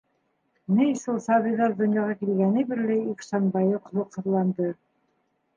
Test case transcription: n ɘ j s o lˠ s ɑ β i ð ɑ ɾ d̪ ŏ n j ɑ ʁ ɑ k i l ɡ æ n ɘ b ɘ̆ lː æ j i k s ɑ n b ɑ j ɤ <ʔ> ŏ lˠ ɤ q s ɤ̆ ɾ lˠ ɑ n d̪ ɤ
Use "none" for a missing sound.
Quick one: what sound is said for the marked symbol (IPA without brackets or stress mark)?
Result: q